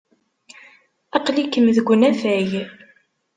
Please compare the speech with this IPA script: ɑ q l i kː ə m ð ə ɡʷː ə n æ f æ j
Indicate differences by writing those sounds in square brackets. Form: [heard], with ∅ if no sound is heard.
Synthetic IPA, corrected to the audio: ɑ q l i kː ə m ð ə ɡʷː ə n æ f æ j